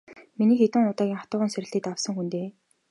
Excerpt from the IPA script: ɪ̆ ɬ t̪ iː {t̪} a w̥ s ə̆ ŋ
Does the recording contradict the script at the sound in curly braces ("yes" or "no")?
no